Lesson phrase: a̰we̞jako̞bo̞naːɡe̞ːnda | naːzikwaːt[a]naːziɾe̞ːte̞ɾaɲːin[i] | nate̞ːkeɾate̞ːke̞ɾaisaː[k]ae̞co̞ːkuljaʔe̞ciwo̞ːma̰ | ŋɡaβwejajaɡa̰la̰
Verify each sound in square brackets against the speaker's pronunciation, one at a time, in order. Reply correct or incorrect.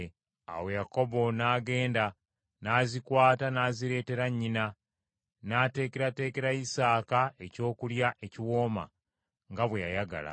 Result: correct, incorrect, correct

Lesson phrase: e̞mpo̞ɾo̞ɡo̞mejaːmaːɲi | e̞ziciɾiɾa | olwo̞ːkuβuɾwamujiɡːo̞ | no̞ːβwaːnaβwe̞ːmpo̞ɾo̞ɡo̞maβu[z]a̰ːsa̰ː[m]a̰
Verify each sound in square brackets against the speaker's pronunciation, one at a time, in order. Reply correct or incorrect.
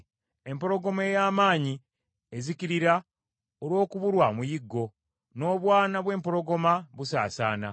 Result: incorrect, incorrect

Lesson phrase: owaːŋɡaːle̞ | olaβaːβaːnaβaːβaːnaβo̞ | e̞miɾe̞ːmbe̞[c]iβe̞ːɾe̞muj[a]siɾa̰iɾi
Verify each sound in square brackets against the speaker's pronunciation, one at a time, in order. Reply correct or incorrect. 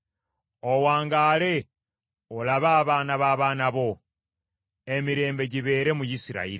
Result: incorrect, incorrect

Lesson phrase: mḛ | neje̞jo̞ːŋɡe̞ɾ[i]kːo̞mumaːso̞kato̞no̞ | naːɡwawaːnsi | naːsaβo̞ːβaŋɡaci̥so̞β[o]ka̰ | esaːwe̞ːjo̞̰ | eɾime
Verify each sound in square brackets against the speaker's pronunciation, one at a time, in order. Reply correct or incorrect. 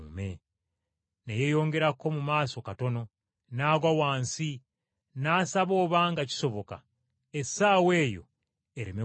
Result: incorrect, correct

